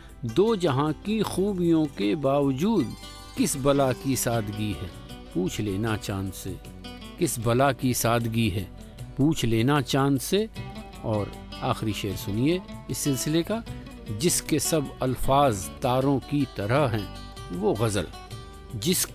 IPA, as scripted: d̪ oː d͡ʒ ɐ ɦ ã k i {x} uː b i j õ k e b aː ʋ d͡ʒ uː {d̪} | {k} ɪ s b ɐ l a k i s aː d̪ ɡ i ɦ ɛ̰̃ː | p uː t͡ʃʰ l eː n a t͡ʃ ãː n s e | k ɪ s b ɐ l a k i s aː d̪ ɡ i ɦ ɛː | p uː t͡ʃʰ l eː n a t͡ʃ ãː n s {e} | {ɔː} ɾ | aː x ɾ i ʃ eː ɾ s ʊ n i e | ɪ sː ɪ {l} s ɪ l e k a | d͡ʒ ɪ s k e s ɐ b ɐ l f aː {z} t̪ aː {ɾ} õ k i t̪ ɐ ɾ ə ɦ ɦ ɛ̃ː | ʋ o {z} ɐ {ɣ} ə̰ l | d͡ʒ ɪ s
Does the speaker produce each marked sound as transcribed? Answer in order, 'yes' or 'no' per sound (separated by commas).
yes, yes, yes, yes, yes, yes, yes, yes, no, no